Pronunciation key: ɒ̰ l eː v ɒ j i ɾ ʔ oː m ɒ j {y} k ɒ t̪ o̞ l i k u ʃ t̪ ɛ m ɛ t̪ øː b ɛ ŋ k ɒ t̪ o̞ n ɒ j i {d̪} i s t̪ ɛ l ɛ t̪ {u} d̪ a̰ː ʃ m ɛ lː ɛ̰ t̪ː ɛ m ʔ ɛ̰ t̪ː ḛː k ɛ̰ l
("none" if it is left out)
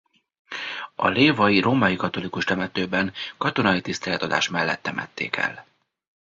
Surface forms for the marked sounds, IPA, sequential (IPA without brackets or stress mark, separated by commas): i, t̪, ɒ